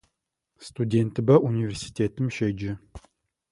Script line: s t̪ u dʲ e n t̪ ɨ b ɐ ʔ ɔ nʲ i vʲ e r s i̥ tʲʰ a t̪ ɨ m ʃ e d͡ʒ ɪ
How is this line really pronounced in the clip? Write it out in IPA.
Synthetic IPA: s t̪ u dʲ e n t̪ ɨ b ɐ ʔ u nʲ i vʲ e r s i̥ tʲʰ e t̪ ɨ m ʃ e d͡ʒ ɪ